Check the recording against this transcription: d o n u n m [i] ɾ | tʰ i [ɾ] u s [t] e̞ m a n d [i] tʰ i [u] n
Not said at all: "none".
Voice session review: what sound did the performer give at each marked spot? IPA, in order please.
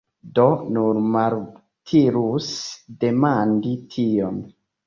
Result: a, ɾ, d, i, o

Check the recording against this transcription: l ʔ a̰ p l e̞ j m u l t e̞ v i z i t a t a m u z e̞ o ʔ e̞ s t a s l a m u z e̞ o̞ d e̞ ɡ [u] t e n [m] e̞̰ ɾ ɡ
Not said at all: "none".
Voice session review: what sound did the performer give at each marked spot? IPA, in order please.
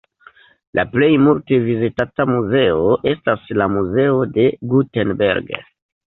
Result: u, b

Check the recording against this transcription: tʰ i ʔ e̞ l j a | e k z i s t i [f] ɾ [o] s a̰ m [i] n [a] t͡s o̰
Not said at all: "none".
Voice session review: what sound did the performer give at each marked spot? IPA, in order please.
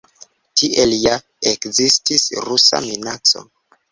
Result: s, u, i, a

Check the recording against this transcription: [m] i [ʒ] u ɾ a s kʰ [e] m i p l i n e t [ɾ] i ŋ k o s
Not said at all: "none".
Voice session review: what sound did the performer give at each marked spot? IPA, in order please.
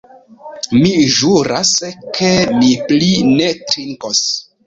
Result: m, ʒ, e, ɾ

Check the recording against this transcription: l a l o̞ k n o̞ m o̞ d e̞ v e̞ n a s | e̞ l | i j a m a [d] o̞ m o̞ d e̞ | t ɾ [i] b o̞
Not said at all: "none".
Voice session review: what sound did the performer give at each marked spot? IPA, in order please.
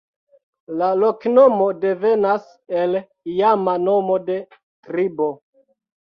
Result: n, i

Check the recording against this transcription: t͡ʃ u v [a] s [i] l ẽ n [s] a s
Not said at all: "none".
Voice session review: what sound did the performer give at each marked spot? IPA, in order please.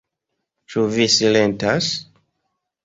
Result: i, i, t

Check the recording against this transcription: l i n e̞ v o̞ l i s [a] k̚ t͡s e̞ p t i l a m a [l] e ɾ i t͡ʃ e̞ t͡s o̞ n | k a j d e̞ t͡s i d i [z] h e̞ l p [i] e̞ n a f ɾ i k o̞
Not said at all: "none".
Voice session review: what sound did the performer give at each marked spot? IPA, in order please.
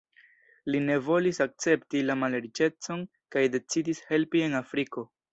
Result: a, l, s, i

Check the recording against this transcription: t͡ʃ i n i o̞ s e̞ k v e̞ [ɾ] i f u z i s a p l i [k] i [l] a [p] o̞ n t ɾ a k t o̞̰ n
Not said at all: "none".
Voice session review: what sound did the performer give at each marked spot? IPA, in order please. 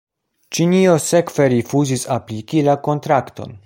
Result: ɾ, k, l, k

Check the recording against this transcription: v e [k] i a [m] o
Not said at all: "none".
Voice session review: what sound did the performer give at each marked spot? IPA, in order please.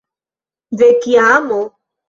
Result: k, m

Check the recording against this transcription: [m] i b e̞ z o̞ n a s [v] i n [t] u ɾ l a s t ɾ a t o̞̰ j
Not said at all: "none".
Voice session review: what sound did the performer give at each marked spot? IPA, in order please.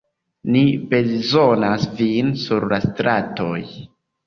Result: n, v, s

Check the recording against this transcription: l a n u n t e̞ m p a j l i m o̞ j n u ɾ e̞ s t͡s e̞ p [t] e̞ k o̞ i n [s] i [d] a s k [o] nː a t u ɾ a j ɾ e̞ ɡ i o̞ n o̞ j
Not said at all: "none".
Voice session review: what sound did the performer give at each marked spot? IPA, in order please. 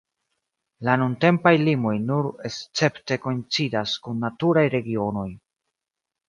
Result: t, t͡s, d, u

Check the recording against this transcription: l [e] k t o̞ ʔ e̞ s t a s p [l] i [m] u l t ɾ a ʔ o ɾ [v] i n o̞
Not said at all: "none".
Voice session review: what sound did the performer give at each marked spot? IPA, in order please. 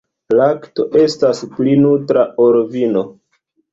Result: a, l, n, v

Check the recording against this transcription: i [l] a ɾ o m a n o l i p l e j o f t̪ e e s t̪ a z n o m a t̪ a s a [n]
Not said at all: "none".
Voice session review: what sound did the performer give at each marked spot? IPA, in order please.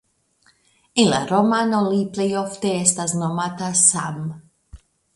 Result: l, m

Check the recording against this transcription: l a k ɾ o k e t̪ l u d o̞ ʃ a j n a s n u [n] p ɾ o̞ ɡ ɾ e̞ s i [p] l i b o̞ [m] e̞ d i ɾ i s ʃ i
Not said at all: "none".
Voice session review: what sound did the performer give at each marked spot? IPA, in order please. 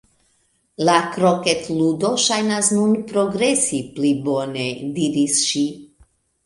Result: n, p, n

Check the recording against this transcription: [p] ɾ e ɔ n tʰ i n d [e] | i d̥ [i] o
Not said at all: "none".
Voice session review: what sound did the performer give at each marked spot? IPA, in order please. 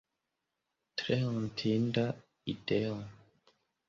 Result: t, a, e

